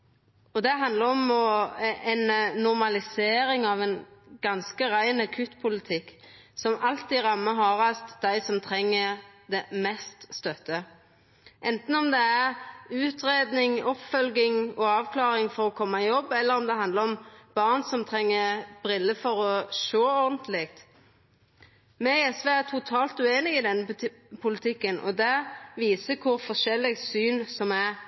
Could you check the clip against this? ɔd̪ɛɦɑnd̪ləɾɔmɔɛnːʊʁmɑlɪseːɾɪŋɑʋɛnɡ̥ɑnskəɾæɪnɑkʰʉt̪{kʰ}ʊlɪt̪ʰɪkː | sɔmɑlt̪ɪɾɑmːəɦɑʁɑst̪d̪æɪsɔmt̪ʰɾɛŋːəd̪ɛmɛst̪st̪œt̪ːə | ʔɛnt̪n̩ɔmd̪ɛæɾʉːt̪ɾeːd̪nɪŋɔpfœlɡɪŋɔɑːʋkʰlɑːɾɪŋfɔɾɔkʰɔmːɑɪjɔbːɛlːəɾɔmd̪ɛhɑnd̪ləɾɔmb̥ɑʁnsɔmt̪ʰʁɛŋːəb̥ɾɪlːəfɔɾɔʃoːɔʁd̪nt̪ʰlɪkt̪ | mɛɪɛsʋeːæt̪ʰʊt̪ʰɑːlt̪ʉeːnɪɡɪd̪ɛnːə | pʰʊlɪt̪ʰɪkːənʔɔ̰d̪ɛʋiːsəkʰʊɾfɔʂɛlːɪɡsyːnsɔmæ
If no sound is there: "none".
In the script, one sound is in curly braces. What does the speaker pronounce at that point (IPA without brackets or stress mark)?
pʰ